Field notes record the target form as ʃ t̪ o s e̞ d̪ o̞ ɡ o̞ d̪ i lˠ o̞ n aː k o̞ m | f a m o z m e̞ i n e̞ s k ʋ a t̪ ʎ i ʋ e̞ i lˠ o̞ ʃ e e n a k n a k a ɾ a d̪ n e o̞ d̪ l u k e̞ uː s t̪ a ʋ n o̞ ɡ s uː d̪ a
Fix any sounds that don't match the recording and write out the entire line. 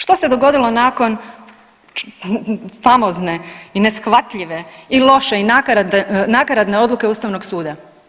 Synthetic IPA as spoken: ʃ t̪ o s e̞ d̪ o̞ ɡ o̞ d̪ i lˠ o̞ n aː k o̞ n | f a m o z n e̞ i n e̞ s x ʋ a t̪ ʎ i ʋ e̞ i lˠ o̞ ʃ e i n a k n a k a ɾ a d̪ n e o̞ d̪ l u k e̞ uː s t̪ a ʋ n o̞ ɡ s uː d̪ a

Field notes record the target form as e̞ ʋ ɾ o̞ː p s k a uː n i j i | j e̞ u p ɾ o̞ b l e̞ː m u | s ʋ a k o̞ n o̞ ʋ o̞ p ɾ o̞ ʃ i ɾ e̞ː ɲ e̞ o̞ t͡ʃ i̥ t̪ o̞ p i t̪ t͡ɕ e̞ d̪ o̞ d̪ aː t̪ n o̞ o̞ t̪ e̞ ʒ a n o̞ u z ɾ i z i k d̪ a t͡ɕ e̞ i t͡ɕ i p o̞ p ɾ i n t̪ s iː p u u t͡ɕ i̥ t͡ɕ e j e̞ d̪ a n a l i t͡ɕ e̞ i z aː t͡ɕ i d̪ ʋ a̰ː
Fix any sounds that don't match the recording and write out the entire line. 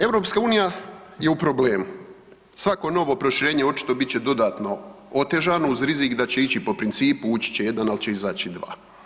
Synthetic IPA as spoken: e̞ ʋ ɾ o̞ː p s k a uː n i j a | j e̞ u p ɾ o̞ b l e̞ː m u | s ʋ a k o̞ n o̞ ʋ o̞ p ɾ o̞ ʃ i ɾ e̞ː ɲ e̞ o̞ t͡ʃ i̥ t̪ o̞ b i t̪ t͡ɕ e̞ d̪ o̞ d̪ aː t̪ n o̞ o̞ t̪ e̞ ʒ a n o̞ u z ɾ i z i k d̪ a t͡ɕ e̞ i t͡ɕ i p o̞ p ɾ i n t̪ s iː p u u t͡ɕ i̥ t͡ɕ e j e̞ d̪ a n a l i t͡ɕ e̞ i z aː t͡ɕ i d̪ ʋ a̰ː

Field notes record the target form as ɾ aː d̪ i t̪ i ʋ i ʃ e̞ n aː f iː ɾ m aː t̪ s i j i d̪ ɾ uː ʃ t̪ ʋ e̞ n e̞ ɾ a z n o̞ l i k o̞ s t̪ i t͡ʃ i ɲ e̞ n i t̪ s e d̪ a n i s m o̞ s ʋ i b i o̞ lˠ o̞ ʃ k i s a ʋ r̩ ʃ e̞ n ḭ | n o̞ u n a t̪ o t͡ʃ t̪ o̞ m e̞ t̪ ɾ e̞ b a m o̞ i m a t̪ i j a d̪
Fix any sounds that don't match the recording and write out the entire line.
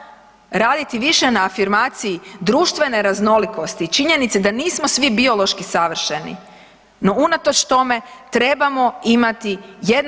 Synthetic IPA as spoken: ɾ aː d̪ i t̪ i ʋ i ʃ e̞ n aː f i ɾ m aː t̪ s i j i d̪ ɾ uː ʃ t̪ ʋ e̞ n e̞ ɾ a z n o̞ l i k o̞ s t̪ i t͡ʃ i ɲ e̞ n i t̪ s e d̪ a n iː s m o̞ s ʋ i b i o̞ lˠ o̞ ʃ k i s a ʋ r̩ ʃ e̞ n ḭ | n o̞ u n a t̪ o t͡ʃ t̪ o̞ m e̞ t̪ ɾ e̞ b a m o̞ i m a t̪ i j e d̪

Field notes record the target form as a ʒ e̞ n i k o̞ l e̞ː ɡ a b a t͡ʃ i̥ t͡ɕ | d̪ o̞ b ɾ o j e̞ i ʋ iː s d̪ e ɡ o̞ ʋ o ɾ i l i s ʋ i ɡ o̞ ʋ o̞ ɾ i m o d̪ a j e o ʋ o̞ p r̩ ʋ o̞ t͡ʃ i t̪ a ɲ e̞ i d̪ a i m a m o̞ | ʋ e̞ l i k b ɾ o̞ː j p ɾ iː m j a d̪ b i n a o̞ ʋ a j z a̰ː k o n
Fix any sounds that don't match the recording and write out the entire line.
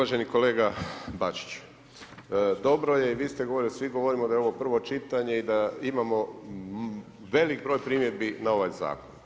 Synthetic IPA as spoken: a ʒ e̞ n i k o̞ l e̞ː ɡ a b a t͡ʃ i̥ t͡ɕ | d̪ o̞ b ɾ o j e̞ i ʋ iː s t̪ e ɡ o̞ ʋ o ɾ i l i s ʋ i ɡ o̞ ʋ o̞ ɾ i m o d̪ a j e o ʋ o̞ p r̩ ʋ o̞ t͡ʃ i t̪ a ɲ e̞ i d̪ a i m a m o̞ | ʋ e̞ l i k b ɾ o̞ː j p ɾ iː m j e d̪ b i n a o̞ ʋ a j z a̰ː k o n

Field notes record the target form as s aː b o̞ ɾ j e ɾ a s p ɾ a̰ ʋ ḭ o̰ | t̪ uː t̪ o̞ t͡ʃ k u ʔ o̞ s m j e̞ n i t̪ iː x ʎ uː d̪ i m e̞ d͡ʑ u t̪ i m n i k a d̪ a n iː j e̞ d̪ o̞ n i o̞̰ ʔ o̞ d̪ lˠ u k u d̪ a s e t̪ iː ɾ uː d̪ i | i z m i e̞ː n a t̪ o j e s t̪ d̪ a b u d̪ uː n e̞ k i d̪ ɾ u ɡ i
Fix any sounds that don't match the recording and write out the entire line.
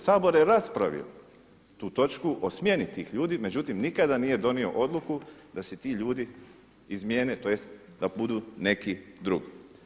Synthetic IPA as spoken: s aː b o̞ ɾ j e ɾ a s p ɾ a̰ ʋ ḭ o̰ | t̪ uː t̪ o̞ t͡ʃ k u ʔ o̞ s m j e̞ n i t̪ iː x ʎ uː d̪ i m e̞ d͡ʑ u t̪ i m n i k a d̪ a n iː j e̞ d̪ o̞ n i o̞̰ ʔ o̞ d̪ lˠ u k u d̪ a s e t̪ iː ʎ uː d̪ i | i z m j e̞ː n e t̪ o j e s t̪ d̪ a b u d̪ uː n e̞ k i d̪ ɾ u ɡ i

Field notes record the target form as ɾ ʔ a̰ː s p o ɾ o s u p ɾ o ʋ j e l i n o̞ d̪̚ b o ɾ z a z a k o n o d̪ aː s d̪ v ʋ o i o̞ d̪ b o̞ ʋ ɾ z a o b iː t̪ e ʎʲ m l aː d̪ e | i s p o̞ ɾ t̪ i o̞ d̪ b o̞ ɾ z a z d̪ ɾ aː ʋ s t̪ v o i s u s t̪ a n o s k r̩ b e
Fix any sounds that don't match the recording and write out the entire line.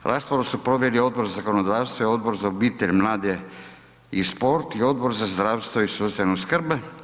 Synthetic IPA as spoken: ɾ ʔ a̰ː s p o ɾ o s u p ɾ o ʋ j e l i o̞ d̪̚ b o ɾ z a z a k o n o d̪ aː s t̪ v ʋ o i o̞ d̪ b o̞ ɾ z a o b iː t̪ e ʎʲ m l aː d̪ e | i s p o̞ ɾ t̪ i o̞ d̪ b o̞ ɾ z a z d̪ ɾ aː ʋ s t̪ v o i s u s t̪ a n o s k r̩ b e

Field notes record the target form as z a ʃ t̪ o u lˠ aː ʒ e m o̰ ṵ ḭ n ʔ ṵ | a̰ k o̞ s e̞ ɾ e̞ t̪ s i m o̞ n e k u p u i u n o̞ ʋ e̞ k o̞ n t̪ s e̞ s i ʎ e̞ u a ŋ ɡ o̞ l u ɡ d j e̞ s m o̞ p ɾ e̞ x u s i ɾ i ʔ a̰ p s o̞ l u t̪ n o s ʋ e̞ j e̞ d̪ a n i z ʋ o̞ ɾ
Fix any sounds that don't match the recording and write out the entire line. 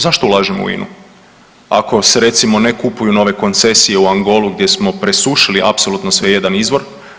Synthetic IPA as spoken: z a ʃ t̪ o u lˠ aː ʒ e m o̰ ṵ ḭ n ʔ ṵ | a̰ k o̞ s e̞ ɾ e̞ t̪ s i m o̞ n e k u p u j u n o̞ ʋ e̞ k o̞ n t̪ s e̞ s i j e̞ u a ŋ ɡ o̞ l u ɡ d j e̞ s m o̞ p ɾ e̞ s u ʃ i l i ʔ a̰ p s o̞ l u t̪ n o s ʋ e̞ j e̞ d̪ a n i z ʋ o̞ ɾ

